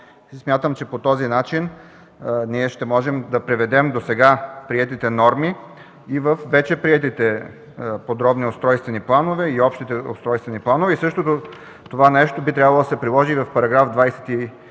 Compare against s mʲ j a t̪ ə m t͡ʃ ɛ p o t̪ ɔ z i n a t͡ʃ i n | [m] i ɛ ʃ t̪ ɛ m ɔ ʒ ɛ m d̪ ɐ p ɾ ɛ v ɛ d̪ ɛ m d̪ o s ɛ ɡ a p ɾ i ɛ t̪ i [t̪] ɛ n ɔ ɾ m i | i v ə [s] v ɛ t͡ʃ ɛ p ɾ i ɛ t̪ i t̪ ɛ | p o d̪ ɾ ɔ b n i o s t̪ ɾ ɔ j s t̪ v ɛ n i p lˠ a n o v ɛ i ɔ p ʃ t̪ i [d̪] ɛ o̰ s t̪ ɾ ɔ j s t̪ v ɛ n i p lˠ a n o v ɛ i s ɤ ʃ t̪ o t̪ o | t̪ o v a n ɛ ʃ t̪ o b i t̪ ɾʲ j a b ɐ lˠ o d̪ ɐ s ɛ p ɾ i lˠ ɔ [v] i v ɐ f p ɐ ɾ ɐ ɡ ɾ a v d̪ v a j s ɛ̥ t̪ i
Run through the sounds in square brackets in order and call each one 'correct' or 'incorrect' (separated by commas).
incorrect, correct, incorrect, incorrect, incorrect